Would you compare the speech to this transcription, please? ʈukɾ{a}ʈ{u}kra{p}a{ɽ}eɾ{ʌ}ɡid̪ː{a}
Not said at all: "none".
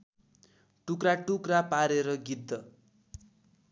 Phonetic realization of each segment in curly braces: a, u, p, ɾ, ʌ, ʌ

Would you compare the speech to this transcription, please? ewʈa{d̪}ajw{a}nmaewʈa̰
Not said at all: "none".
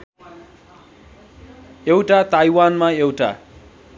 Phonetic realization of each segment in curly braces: t̪, a

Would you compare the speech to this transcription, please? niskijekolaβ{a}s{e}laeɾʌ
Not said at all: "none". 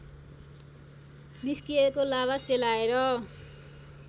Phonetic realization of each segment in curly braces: a, e

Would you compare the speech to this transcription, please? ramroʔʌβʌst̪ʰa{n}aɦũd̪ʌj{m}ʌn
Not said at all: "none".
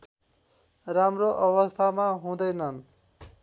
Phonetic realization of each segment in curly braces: m, n

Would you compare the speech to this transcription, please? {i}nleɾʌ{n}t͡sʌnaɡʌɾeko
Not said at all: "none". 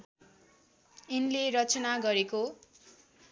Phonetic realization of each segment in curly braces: i, none

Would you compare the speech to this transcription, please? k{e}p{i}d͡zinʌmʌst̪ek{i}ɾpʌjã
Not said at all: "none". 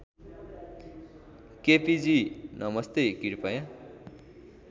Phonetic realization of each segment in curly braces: e, i, i

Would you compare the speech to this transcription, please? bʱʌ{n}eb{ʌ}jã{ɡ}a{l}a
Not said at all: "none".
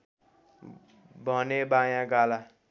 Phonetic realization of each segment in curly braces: n, a, ɡ, l

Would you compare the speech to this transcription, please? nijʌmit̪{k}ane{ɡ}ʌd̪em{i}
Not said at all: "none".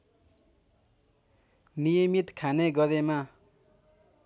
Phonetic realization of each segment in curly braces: kʰ, ɡ, a

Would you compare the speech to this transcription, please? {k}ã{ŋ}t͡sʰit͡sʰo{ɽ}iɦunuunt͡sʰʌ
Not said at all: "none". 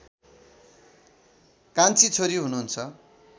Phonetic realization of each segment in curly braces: k, n, ɾ

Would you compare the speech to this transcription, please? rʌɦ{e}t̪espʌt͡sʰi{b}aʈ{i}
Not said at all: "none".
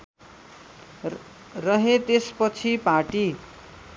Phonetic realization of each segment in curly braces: e, p, i

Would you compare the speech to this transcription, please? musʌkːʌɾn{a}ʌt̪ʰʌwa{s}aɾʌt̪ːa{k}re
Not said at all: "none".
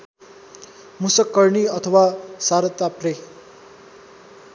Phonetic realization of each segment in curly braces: i, s, p

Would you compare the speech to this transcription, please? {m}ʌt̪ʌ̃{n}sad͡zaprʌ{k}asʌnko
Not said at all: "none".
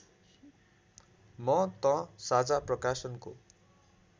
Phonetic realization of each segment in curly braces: m, none, k

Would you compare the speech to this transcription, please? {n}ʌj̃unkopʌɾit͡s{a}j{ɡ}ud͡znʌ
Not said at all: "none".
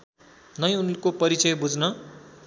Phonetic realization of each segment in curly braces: n, ʌ, b

